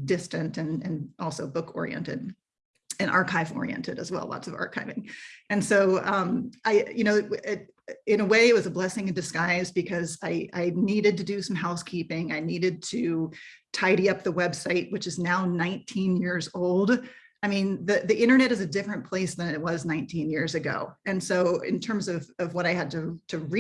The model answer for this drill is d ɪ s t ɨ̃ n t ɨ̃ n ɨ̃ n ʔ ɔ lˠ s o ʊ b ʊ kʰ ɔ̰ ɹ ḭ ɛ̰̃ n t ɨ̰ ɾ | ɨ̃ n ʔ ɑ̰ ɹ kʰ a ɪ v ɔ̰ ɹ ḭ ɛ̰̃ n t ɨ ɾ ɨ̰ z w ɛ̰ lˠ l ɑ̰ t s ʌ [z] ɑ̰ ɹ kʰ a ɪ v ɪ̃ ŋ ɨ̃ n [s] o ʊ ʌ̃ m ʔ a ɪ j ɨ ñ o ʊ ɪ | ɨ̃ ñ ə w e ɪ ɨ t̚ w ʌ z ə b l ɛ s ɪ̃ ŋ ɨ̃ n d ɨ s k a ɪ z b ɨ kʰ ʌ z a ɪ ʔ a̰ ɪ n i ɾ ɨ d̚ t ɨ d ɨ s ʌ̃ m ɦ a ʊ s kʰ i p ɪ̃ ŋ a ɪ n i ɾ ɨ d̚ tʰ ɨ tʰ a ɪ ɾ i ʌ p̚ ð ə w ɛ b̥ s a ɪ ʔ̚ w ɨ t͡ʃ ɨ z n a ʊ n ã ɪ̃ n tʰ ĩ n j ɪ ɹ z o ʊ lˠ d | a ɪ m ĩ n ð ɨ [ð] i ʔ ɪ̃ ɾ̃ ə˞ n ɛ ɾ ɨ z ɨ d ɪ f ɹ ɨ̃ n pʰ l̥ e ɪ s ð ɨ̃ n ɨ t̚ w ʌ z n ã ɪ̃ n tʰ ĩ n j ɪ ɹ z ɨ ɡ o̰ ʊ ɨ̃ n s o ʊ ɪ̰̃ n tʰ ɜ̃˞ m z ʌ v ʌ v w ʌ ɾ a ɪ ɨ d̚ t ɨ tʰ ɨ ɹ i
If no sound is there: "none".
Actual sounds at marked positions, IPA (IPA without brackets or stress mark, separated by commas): v, s, ð